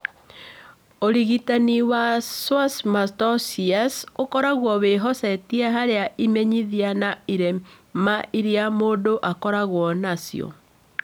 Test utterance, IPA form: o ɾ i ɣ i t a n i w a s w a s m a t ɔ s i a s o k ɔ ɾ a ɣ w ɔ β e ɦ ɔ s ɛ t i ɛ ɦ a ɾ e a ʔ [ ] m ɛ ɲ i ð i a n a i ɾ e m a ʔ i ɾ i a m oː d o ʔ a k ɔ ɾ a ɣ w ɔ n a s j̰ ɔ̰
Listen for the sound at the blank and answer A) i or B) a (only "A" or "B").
A